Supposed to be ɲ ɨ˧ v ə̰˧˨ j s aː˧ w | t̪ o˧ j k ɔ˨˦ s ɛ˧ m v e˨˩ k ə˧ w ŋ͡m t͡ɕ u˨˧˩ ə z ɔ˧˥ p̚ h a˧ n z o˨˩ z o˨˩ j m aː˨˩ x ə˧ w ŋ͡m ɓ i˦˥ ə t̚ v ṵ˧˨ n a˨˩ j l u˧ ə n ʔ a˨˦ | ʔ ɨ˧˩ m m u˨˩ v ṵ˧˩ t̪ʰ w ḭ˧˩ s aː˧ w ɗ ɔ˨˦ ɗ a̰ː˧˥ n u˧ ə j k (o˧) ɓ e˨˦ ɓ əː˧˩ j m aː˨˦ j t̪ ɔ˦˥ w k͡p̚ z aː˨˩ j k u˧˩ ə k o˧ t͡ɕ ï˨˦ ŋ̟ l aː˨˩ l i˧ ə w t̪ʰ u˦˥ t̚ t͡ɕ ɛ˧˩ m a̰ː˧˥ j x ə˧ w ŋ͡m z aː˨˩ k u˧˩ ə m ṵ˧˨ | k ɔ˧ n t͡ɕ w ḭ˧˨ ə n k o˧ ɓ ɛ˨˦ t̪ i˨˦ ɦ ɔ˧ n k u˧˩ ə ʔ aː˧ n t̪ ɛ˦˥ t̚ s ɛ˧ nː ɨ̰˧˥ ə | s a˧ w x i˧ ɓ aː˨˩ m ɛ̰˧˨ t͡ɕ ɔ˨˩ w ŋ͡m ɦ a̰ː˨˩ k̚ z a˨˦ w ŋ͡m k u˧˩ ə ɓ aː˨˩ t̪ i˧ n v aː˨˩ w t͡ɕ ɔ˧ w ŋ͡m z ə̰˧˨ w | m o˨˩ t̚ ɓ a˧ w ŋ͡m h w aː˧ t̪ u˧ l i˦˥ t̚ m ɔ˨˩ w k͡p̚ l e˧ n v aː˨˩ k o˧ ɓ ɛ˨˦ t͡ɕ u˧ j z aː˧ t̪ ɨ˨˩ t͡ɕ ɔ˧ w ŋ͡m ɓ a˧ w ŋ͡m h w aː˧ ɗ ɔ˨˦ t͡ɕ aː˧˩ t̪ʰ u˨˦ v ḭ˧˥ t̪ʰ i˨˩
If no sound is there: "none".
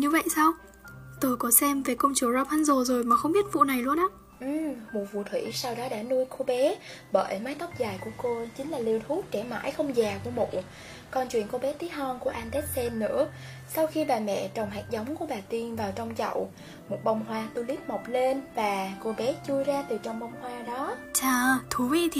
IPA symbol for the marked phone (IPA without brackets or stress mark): o˧